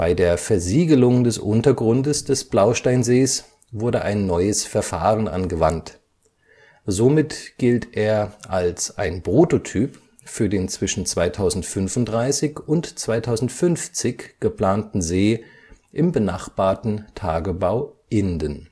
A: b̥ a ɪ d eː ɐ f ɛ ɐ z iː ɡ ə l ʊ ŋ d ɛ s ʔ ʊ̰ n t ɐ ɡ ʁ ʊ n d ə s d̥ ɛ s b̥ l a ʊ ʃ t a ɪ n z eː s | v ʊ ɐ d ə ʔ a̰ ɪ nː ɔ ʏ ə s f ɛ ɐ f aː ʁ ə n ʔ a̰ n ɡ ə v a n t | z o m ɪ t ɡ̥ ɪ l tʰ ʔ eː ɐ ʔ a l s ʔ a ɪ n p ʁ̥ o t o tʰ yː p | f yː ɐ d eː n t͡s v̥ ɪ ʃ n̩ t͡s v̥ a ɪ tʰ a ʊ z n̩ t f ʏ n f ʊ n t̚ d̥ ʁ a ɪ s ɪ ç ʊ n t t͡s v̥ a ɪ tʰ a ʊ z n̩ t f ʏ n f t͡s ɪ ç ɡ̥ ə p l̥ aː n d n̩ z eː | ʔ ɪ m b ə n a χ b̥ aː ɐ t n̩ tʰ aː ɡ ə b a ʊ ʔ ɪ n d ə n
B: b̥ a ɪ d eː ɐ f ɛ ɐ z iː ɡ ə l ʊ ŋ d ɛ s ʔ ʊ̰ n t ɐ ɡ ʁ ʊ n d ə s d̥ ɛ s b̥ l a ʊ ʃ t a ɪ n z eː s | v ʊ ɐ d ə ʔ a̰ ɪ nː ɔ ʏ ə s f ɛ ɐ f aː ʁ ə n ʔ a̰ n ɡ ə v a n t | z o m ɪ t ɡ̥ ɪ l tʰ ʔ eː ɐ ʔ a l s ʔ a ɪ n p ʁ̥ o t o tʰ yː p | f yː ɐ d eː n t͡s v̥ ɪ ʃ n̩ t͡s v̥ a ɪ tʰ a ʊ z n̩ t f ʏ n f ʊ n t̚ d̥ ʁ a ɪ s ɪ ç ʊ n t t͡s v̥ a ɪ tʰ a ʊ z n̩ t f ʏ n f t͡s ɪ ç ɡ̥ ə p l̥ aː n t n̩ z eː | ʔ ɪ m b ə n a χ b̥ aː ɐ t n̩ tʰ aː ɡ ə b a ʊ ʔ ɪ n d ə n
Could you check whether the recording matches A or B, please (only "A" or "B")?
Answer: B